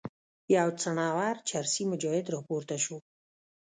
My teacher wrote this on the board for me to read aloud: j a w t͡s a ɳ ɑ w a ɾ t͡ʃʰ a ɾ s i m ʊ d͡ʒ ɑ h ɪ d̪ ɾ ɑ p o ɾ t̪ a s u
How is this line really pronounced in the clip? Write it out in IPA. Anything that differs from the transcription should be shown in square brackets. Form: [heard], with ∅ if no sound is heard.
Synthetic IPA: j a w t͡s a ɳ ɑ w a ɾ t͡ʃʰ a ɾ s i m ʊ d͡ʒ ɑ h ɪ d̪ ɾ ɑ p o ɾ t̪ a [ʃ] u